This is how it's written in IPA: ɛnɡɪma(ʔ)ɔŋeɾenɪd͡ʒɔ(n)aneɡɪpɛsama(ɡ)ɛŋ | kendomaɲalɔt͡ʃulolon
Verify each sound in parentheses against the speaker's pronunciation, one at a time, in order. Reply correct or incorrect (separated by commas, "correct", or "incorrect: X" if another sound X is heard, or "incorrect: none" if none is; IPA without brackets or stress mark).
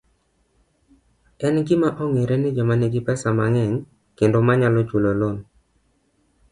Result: correct, incorrect: m, incorrect: ŋ